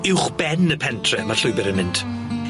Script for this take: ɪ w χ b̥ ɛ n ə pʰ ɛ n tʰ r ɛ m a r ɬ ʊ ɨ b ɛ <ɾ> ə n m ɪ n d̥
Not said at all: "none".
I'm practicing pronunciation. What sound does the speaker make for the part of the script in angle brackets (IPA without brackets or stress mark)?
ɾ